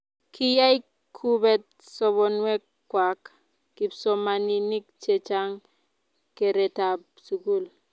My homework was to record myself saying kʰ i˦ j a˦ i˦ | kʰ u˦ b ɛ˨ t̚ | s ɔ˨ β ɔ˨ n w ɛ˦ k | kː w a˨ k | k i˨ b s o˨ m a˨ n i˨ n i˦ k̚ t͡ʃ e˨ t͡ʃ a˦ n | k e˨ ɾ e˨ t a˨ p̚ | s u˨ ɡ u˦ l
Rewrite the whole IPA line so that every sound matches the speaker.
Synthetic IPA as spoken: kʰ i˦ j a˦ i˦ | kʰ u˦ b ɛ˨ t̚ | s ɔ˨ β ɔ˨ n w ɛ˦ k | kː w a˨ k | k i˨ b s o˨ m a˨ n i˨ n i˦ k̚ t͡ʃ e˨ t͡ʃ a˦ ŋ | k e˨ ɾ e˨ t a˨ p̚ | s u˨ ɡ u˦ l